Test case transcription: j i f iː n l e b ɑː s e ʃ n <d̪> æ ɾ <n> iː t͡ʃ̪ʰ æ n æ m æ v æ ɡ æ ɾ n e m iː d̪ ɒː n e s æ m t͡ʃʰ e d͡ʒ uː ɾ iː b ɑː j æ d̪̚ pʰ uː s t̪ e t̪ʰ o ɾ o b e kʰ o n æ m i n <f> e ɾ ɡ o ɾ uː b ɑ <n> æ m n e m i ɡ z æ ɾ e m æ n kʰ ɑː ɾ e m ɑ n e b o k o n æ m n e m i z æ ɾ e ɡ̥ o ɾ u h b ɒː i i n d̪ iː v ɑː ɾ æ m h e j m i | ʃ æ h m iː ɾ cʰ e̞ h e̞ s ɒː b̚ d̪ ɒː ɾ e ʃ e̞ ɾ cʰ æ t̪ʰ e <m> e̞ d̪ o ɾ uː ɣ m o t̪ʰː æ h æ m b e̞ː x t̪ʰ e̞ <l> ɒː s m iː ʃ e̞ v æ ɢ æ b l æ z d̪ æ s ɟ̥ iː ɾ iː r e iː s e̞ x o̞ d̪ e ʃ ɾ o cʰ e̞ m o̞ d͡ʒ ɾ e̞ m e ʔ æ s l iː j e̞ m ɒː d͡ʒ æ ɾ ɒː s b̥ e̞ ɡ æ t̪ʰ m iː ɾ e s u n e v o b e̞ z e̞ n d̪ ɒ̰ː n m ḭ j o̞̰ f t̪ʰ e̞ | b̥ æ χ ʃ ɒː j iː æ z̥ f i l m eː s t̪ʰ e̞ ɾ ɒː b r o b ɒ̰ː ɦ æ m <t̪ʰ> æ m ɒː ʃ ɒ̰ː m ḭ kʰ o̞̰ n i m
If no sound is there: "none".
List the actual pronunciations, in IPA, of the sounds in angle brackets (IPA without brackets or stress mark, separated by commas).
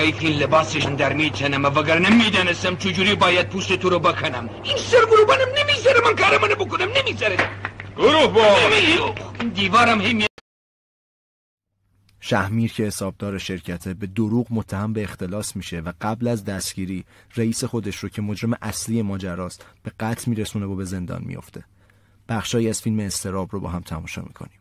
d̪, m, s, n, b, l, t̪ʰ